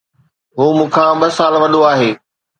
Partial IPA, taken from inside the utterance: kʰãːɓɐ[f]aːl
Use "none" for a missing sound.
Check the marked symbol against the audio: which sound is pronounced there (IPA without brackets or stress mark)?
s